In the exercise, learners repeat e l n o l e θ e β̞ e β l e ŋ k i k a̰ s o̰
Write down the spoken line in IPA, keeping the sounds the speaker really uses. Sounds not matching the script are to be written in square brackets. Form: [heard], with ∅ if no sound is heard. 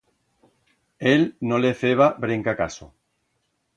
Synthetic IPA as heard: e l n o l e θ e β̞ [a] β [ɾ] e ŋ k [a] k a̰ s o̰